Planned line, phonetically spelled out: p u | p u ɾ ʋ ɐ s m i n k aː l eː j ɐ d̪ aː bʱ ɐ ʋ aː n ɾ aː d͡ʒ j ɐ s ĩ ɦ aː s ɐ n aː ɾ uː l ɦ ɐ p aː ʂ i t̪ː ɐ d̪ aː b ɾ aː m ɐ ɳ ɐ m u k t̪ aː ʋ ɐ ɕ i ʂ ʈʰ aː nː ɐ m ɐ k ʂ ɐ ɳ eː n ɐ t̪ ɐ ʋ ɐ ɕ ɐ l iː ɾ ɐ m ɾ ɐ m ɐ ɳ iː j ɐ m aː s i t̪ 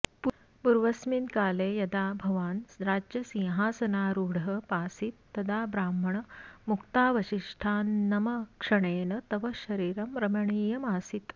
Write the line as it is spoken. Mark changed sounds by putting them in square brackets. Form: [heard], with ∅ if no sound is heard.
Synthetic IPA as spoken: p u | p u ɾ ʋ ɐ s m i n k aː l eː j ɐ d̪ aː bʱ ɐ ʋ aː n ɾ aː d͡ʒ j ɐ s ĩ ɦ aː s ɐ n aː ɾ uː [ɽ] ɦ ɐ p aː [s] i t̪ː ɐ d̪ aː b ɾ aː m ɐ ɳ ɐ m u k t̪ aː ʋ ɐ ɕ i ʂ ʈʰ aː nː ɐ m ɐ k ʂ ɐ ɳ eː n ɐ t̪ ɐ ʋ ɐ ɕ ɐ [ɾ] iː ɾ ɐ m ɾ ɐ m ɐ ɳ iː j ɐ m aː s i t̪